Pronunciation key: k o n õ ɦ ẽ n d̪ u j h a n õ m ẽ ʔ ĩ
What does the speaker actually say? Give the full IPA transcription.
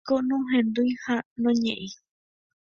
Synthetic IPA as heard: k o n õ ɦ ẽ n d̪ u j h a n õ ɲ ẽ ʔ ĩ